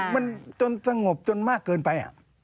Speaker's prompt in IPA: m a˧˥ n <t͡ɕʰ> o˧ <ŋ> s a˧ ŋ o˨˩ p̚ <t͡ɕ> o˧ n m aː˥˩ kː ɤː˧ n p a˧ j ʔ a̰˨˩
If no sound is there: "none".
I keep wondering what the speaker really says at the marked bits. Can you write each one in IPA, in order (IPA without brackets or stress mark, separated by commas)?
t͡ɕ, n, t͡ɕ